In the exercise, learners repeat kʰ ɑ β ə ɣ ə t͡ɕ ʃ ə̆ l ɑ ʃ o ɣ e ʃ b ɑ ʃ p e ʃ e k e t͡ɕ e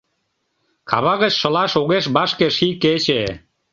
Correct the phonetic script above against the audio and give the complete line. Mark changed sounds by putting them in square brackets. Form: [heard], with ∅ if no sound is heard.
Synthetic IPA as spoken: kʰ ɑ β [ɑ] ɣ ə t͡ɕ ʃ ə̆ l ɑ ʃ o ɣ e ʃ b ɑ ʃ [k] e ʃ [i] k e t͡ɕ e

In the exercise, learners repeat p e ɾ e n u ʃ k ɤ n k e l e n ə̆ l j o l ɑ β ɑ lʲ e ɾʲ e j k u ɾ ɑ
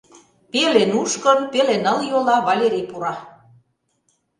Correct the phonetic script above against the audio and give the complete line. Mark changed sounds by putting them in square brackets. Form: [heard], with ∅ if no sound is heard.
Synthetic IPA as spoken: p e [l] e n u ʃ k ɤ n [p] e l e n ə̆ l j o l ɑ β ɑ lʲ e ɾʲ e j [p] u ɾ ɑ

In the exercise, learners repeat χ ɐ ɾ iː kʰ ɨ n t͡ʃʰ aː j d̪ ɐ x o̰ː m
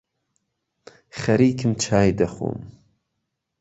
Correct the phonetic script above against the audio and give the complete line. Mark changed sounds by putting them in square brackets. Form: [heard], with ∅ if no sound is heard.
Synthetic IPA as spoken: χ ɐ ɾ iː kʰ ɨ [m] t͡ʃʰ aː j d̪ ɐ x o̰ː m

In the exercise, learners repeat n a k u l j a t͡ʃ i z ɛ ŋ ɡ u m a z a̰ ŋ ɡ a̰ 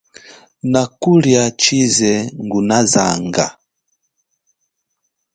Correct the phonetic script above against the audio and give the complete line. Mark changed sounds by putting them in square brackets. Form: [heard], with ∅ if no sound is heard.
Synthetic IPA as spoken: n a k u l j a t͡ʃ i z ɛ ŋ ɡ u [n] a z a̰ ŋ ɡ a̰

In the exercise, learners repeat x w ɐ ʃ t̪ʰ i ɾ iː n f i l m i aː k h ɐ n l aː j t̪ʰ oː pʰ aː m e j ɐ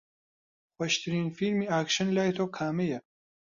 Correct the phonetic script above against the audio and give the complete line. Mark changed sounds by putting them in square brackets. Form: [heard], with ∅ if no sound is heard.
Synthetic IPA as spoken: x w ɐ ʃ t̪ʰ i ɾ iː n f i l m i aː k [ʃ] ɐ n l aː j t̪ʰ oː [kʰ] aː m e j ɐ

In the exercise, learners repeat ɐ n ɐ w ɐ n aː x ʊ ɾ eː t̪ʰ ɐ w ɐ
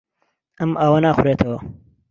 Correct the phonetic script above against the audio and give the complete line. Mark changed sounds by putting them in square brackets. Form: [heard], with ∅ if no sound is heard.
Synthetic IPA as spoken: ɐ [m] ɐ w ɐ n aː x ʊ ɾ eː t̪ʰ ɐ w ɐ

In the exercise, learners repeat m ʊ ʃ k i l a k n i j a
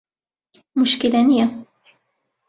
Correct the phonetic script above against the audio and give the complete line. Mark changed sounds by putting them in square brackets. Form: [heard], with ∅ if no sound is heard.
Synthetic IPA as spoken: m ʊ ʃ k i l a [∅] n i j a

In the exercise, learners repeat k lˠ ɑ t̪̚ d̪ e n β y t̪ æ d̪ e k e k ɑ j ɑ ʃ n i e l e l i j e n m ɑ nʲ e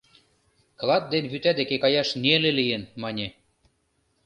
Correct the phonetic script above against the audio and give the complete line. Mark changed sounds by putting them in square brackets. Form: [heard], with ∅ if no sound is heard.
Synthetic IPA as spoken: k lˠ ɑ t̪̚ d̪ e n β y t̪ æ d̪ e k e k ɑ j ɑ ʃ n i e l e l i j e n m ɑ nʲ e

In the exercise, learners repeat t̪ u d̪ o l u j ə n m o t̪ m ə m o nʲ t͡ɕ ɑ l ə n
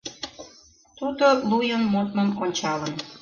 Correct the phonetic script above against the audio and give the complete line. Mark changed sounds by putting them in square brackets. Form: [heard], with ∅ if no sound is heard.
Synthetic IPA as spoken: t̪ u d̪ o l u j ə n m o t̪ m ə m o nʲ t͡ɕ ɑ l ə n

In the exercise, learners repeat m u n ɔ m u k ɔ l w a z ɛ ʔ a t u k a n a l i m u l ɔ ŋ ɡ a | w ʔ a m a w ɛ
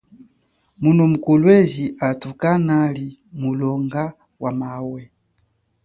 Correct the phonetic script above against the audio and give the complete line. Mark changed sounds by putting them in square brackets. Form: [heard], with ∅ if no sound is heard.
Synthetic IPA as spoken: m u n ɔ m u k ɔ l w [ɛ] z [i] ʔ a t u k a n a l i m u l ɔ ŋ ɡ a | w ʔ a m a w ɛ

